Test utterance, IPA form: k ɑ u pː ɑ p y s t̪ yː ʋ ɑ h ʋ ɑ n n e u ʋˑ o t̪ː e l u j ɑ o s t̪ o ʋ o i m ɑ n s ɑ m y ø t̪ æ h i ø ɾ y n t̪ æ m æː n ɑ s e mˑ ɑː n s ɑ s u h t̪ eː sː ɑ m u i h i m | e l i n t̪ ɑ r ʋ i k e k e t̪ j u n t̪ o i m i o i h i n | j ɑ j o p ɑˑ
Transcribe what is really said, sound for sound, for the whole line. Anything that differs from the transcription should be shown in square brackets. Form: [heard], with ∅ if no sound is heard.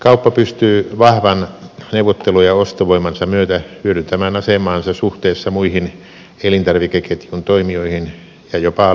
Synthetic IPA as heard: k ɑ u pː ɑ p y s t̪ yː ʋ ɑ h ʋ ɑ n n e u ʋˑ o t̪ː e l u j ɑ o s t̪ o ʋ o i m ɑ n s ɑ m y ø t̪ æ h [y] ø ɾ y n t̪ æ m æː n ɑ s e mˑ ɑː n s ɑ s u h t̪ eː sː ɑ m u i h i [n] | e l i n t̪ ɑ r ʋ i k e k e t̪ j u n t̪ o i m i o i h i n | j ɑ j o p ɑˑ